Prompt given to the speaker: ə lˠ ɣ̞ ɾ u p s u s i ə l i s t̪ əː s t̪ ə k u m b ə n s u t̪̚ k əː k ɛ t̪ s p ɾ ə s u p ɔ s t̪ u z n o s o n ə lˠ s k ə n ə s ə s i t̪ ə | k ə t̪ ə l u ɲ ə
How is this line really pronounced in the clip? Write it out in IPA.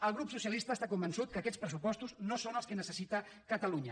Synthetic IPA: ə lˠ ɣ̞ ɾ u p s u s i ə l i s t̪ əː s t̪ a k u m b ə n s u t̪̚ k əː k ɛ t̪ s p ɾ ə s u p ɔ s t̪ u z n o s o n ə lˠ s k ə n ə s ə s i t̪ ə | k ə t̪ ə l u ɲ ə

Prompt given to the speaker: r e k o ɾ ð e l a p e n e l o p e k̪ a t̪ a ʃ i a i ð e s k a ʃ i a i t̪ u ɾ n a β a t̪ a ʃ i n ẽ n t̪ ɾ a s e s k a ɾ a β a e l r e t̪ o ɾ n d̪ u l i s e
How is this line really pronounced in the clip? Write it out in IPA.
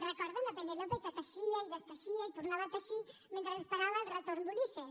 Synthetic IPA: r e k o ɾ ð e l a p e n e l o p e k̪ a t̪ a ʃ i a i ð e s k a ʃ i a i t̪ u ɾ n a β a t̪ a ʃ i m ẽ n t̪ ɾ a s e s p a ɾ a β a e l r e t̪ o ɾ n d̪ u l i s e

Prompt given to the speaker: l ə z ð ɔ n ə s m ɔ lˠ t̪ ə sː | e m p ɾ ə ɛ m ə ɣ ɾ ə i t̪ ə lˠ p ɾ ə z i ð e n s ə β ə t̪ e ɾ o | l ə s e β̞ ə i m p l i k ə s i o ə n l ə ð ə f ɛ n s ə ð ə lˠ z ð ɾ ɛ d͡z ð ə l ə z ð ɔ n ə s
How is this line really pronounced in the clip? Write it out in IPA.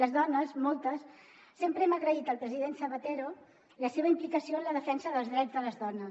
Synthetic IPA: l ə z ð ɔ n ə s m ɔ lˠ t̪ ə sː | e m p ɾ ə ɛ m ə ɣ ɾ ə i t̪ ə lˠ p ɾ ə z i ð e n s ə β ə t̪ e ɾ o | l ə s e β̞ ə i m p l i k ə s i o ə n l ə ð ə f ɛ n s ə ð ə lˠ z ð ɾ ɛ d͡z ð ə l ə z ð ɔ n ə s

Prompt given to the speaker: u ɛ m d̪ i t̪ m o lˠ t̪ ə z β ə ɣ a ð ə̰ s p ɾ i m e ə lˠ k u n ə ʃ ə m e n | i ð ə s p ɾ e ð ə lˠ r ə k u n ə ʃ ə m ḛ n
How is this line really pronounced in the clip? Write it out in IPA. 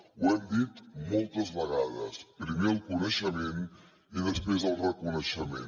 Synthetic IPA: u ɛ m d̪ i t̪ m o lˠ t̪ ə z β ə ɣ a ð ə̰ s p ɾ i m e ə lˠ k u n ə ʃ ə m e n | i ð ə s p ɾ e z ə lˠ r ə k u n ə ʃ ə m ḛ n

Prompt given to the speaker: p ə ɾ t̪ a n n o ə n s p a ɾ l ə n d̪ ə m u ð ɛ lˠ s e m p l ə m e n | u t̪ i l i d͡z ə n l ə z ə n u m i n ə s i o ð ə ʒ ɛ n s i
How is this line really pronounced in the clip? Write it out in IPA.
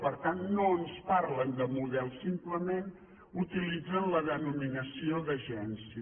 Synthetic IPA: p ə ɾ t̪ a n n o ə n s p a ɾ l ə n d̪ ə m u ð ɛ lˠ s i m p l ə m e n | u t̪ i l i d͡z ə n l ə ð ə n u m i n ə s i o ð ə ʒ ɛ n s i

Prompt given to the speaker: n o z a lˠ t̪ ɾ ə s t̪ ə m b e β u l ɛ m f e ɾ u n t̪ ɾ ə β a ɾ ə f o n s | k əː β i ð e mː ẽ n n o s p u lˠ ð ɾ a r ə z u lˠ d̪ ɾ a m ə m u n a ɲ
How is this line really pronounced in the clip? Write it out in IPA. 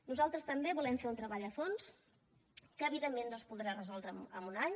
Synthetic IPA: n u z a lˠ t̪ ɾ ə s t̪ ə m b e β u l ɛ m f e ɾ u n t̪ ɾ ə β a ʎ ə f o n s | k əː β i ð e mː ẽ n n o s p u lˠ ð ɾ a r ə z ɔ lˠ d̪ ɾ ə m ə m u n a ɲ

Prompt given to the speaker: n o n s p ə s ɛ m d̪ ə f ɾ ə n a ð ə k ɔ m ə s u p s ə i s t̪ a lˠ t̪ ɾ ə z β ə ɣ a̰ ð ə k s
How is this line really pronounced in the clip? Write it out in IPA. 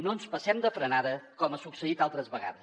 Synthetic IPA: n o n s p ə s ɛ m d̪ ə f ɾ ə n a ð ə k ɔ m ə s u k s ə i t̪ a lˠ t̪ ɾ ə z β ə ɣ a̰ ð ə s

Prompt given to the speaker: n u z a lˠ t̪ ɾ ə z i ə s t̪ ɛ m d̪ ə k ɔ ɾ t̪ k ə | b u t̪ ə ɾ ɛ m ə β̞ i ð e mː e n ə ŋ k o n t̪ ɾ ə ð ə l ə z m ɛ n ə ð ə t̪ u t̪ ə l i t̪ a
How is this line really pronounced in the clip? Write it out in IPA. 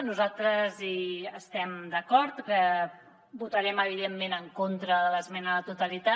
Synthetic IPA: n u z a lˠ t̪ ɾ ə z i ə s t̪ ɛ m d̪ ə k ɔ ɾ t̪ k ə | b u t̪ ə ɾ ɛ m ə β̞ i ð e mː e n ə ŋ k o n t̪ ɾ ə ð ə l ə z m ɛ n ə ð ə t̪ u t̪ ə l i t̪ a

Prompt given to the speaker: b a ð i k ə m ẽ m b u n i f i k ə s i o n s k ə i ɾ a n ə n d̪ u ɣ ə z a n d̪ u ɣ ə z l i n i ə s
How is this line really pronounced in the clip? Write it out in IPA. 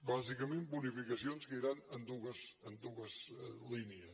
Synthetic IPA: b a z i k ə m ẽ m b u n i f i k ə s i o n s k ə i ɾ a n ə n d̪ u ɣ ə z ə n d̪ u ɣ ə z l i n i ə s

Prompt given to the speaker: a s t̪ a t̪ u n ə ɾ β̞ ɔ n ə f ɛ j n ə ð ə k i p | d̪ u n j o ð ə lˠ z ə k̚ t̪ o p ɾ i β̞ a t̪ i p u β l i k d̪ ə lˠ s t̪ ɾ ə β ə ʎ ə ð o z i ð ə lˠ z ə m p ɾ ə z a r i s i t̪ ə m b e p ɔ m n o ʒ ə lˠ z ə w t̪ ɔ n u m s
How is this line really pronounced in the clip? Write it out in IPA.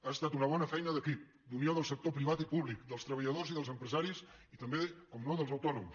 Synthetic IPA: a s t̪ a t̪ u n ə β̞ ɔ n ə f ɛ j n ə ð ə k i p | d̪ u n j o ð ə lˠ s ə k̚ t̪ o p ɾ i β̞ a t̪ i p u β l i k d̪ ə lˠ s t̪ ɾ ə β ə ʎ ə ð o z i ð ə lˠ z ə m p ɾ ə z a ɾ i s i t̪ ə m b e k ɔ m n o ð ə lˠ z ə w t̪ ɔ n u m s

